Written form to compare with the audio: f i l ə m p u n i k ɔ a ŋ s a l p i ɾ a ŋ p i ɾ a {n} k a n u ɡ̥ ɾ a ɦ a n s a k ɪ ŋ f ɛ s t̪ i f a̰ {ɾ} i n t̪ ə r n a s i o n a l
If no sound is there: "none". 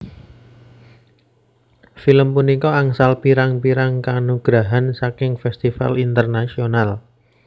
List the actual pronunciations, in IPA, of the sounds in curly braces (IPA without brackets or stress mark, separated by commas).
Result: ŋ, l